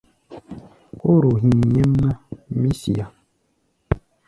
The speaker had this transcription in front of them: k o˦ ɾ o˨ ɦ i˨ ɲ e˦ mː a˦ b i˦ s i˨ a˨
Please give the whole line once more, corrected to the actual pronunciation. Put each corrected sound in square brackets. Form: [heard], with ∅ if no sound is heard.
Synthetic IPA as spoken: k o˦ ɾ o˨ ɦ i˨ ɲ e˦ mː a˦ [m] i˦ s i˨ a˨